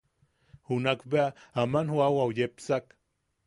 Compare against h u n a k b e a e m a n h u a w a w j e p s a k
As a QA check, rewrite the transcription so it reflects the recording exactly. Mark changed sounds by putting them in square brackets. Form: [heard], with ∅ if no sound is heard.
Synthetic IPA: h u n a k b e a [a] m a n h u a w a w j e p s a k